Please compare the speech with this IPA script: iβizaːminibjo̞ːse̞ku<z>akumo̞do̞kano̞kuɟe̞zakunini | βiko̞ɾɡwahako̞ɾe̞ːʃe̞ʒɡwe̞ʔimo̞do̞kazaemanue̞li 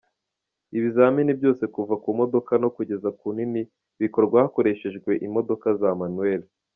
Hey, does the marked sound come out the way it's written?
no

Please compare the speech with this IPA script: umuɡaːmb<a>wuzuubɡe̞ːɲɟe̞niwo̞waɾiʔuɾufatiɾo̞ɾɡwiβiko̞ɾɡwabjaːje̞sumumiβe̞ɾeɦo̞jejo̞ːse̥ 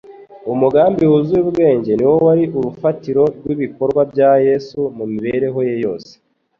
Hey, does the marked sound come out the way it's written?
no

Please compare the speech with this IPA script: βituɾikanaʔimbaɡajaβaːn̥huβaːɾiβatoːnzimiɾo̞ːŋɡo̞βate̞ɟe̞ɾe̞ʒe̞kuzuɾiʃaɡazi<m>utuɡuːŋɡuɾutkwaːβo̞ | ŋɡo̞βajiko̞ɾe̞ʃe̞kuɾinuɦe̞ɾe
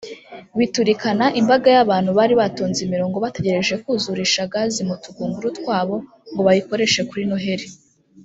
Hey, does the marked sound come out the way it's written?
yes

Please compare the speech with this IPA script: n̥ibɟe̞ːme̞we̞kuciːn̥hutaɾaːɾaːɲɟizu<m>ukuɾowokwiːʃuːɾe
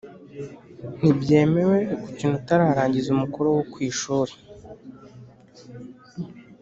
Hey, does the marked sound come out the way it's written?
yes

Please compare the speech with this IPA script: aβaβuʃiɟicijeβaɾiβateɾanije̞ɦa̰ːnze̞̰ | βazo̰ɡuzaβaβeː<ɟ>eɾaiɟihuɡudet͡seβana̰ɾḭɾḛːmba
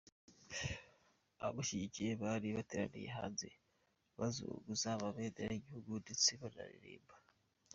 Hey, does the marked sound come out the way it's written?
no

